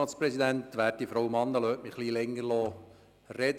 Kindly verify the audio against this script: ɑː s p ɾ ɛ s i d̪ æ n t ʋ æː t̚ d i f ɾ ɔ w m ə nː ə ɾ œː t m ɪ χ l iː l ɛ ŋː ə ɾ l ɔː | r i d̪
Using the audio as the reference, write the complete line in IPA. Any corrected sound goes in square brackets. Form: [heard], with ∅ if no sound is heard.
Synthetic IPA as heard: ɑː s p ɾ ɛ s i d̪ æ n t ʋ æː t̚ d i f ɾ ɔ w m [ɑ] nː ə [l] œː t m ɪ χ l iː l ɛ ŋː ə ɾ l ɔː | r [ɛ] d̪